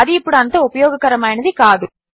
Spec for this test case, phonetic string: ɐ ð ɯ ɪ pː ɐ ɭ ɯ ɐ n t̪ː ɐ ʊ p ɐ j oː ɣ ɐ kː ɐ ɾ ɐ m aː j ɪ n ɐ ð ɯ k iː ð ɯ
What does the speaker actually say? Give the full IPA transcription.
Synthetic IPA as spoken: ɐ ð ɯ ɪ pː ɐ ɽ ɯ ɐ n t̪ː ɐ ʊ p ɐ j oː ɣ ɐ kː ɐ ɾ ɐ m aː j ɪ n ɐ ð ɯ k aː ð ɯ